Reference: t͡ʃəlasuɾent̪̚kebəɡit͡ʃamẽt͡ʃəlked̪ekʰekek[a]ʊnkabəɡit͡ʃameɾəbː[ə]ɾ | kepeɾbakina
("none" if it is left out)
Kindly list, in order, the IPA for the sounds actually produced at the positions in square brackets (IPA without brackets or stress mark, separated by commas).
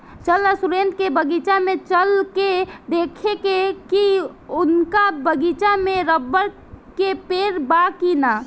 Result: i, ə